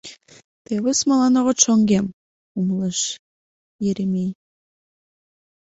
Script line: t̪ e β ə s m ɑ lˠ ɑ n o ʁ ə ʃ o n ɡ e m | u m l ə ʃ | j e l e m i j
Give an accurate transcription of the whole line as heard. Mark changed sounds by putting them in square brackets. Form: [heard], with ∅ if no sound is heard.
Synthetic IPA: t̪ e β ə s m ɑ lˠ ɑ n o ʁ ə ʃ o [ŋ] ɡ e m | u m l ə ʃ | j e [ɾ] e m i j